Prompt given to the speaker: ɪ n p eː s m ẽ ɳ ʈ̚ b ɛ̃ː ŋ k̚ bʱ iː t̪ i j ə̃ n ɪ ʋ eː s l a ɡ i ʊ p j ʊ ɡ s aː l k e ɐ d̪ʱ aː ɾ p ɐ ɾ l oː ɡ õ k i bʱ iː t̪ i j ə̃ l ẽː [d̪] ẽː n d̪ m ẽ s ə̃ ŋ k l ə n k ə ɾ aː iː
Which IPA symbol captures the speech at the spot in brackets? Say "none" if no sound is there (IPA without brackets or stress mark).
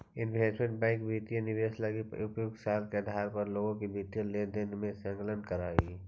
d̪